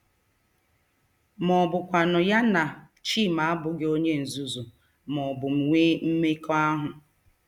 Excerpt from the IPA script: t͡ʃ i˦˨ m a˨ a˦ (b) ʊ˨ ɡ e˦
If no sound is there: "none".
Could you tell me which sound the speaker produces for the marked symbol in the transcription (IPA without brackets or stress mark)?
b